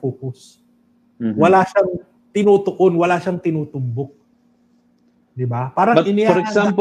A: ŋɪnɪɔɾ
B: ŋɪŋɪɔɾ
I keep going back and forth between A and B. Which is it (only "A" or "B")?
A